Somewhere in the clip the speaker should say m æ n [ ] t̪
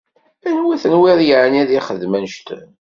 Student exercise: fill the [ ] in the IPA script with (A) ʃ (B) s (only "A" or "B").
A